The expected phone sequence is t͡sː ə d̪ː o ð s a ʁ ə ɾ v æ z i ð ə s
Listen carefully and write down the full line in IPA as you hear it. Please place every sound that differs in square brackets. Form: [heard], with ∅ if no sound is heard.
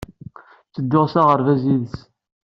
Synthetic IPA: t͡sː ə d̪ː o [ʁ] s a ʁ ə ɾ v æ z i ð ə s

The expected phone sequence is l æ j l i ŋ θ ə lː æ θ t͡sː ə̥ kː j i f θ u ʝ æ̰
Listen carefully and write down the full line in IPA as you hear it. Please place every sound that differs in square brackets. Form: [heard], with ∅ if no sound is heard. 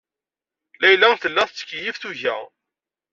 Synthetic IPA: l æ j l [æ] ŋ θ ə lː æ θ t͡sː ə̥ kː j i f θ u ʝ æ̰

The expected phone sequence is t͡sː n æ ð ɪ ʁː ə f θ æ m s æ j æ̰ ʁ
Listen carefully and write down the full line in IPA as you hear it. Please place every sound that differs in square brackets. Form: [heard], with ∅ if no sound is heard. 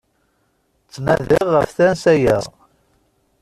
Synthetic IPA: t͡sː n æ ð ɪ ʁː ə f θ æ [n] s æ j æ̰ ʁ

